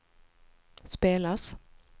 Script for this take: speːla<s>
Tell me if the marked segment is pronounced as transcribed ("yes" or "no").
yes